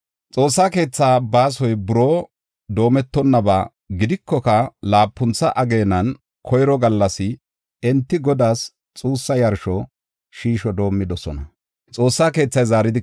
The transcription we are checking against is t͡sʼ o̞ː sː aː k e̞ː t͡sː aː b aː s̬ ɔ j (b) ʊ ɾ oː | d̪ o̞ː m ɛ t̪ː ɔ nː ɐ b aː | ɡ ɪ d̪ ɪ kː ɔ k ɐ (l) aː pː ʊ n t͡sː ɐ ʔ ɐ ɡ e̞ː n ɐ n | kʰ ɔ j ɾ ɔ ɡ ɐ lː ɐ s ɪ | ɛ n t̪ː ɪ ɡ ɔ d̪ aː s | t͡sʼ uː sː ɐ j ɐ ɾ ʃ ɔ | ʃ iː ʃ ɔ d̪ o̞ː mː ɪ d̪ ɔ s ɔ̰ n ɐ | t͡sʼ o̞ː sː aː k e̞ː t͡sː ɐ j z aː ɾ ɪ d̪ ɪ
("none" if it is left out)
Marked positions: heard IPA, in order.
b, l

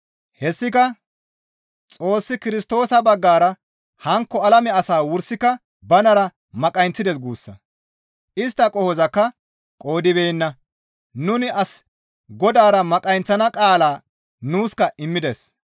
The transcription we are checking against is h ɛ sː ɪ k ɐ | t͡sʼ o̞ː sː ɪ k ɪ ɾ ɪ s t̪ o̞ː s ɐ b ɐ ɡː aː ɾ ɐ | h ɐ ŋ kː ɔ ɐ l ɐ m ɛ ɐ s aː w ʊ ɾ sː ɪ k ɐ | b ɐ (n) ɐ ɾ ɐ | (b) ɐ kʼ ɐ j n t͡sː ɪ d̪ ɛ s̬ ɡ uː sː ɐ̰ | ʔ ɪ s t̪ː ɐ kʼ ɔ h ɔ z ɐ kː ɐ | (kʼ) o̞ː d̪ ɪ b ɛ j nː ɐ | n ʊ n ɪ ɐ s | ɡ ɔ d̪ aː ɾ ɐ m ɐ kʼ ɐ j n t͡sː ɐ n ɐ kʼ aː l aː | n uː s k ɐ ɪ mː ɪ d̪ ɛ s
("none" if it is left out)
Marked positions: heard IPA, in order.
n, m, kʼ

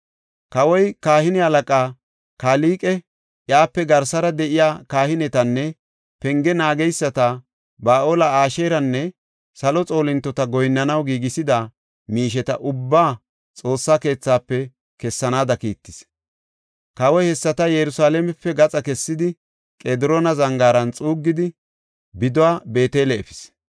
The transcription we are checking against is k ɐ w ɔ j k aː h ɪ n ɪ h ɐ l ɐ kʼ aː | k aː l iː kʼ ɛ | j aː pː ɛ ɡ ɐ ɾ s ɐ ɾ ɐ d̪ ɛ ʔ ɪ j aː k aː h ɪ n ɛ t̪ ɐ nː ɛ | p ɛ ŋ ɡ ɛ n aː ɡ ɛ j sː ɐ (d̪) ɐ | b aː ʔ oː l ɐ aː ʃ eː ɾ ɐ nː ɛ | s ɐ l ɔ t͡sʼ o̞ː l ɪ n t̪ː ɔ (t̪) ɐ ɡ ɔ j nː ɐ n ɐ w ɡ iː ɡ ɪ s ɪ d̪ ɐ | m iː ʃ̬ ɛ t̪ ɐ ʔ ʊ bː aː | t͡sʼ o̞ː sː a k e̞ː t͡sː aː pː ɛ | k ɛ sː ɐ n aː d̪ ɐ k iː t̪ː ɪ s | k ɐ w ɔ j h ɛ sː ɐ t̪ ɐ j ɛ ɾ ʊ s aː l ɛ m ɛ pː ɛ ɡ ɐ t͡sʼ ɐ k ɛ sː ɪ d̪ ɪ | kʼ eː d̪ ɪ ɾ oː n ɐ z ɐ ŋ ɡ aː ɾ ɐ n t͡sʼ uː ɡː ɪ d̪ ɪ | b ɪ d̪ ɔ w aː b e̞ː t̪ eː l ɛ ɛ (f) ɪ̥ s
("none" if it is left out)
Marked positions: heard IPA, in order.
t̪, t̪, f

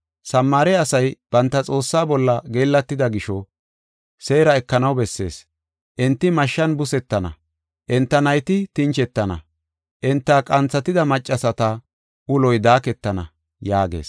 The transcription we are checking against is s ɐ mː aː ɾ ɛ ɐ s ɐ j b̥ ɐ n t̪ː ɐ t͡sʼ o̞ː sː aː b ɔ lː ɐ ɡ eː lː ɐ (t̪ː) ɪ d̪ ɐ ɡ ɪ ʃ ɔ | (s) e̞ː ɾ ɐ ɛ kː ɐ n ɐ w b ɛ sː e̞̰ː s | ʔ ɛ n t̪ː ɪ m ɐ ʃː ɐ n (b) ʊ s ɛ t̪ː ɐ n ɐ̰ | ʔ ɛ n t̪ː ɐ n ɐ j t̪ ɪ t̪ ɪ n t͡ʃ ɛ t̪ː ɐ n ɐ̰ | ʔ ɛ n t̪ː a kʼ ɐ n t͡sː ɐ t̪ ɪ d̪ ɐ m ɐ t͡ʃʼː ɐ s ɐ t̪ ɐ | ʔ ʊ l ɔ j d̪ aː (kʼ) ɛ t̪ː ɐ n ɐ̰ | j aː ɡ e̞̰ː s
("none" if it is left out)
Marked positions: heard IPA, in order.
t̪ː, s, b, k

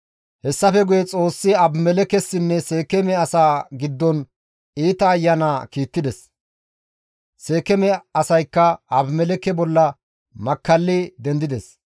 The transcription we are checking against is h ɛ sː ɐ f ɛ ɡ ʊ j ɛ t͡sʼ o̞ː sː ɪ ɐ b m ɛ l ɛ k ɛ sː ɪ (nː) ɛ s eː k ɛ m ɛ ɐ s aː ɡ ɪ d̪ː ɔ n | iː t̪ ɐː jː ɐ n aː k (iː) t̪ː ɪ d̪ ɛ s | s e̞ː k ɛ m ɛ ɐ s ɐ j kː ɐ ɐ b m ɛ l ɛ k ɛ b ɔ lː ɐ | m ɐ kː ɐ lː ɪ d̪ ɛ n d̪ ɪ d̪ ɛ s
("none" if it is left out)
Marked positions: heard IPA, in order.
nː, iː

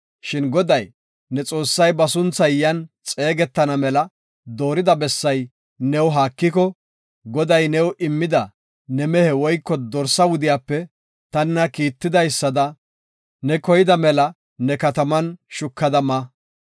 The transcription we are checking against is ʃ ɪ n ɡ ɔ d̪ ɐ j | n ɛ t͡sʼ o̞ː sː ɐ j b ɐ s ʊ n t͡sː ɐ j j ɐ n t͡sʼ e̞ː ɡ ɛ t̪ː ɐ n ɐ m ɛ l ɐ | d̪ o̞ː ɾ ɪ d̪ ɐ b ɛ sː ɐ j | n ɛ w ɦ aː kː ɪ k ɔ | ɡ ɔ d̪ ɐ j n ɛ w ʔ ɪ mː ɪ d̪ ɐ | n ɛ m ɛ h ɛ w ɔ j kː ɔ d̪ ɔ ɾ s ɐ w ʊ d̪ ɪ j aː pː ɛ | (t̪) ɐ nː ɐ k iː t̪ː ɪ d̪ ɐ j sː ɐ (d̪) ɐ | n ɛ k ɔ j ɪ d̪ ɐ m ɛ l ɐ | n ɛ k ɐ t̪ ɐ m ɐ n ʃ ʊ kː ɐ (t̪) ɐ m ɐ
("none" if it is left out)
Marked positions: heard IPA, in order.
t̪, d̪, d̪

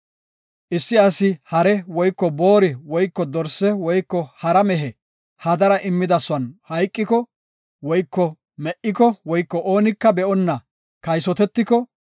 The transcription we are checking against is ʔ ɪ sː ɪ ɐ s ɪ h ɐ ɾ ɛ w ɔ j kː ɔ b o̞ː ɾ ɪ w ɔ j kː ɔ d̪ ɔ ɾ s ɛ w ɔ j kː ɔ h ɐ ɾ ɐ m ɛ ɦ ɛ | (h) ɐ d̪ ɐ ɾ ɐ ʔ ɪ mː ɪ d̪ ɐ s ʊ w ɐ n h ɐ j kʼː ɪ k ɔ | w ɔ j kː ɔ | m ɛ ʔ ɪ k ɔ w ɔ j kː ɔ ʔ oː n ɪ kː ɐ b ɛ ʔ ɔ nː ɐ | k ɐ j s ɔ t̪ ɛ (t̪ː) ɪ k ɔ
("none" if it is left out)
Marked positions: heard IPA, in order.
h, t̪ː

